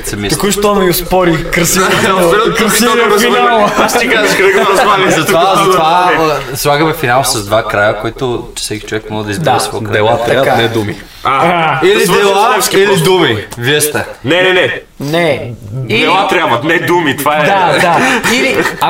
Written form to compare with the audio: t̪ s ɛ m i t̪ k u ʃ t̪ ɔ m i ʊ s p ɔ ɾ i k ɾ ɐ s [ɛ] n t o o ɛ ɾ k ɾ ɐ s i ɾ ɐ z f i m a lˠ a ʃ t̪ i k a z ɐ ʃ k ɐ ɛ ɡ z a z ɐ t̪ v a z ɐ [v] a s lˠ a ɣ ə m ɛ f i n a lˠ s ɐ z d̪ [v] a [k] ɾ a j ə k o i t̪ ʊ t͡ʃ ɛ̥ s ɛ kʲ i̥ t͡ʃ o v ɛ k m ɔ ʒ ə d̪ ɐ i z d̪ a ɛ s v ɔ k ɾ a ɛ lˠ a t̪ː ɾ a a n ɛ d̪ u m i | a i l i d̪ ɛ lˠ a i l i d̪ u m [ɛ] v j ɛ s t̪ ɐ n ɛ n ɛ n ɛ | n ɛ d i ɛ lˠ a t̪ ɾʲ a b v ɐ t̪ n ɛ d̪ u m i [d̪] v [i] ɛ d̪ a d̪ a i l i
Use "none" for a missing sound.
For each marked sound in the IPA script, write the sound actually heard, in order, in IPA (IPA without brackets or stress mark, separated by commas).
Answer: i, v, v, k, i, t̪, a